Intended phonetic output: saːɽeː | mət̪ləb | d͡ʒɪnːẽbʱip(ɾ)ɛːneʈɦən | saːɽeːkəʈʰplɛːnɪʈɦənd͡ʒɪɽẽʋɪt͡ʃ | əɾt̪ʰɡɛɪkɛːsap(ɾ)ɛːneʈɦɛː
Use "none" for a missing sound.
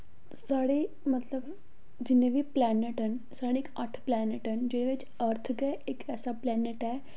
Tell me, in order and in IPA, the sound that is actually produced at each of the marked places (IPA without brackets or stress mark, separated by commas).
l, l